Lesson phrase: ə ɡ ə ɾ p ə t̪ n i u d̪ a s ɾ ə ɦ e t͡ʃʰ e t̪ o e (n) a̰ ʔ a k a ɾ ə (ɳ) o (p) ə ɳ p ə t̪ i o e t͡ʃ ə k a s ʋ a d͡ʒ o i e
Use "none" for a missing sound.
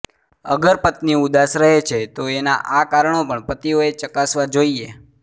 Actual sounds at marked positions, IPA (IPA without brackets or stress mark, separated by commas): n, ɳ, p